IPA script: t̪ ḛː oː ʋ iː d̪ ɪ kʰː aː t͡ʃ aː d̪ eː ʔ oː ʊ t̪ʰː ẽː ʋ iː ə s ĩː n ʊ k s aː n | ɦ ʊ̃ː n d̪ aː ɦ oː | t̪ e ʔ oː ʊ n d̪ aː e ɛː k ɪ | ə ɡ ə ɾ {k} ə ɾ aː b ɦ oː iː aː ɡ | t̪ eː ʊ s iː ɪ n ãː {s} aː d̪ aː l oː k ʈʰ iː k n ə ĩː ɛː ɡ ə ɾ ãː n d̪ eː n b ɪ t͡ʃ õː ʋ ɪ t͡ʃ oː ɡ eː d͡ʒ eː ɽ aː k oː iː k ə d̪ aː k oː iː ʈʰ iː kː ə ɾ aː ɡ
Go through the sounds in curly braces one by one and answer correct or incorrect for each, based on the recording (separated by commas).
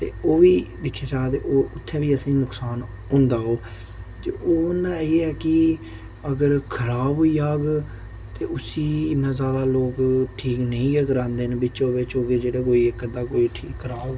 incorrect, incorrect